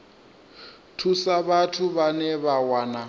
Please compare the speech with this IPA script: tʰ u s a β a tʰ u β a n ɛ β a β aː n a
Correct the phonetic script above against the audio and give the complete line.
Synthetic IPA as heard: tʰ u s a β a tʰ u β a n ɛ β a w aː n a